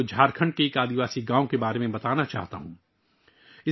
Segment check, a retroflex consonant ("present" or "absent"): present